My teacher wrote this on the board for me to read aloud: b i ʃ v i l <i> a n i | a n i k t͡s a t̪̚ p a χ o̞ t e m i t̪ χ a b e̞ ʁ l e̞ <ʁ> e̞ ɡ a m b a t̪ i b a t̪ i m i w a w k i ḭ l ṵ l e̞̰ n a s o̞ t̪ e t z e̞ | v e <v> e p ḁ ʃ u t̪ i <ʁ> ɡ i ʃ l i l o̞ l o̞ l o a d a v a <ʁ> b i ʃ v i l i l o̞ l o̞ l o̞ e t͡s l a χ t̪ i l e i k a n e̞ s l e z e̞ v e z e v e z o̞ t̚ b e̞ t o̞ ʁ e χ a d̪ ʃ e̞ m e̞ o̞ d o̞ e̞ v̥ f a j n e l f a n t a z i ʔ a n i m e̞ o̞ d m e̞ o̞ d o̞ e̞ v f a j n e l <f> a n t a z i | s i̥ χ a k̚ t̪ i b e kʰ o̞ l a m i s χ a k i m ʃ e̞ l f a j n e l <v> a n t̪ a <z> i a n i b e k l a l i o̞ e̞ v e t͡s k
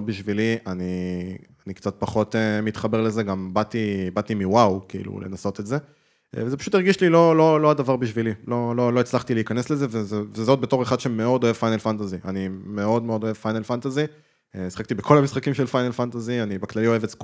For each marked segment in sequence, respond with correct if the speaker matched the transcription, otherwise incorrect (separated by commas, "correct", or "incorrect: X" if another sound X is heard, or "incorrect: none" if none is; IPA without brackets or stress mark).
correct, incorrect: z, incorrect: z, correct, correct, correct, incorrect: f, correct